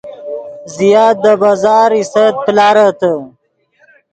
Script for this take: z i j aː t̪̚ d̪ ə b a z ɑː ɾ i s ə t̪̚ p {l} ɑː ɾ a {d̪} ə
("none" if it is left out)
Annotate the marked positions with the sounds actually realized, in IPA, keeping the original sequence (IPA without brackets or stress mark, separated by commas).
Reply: l, t̪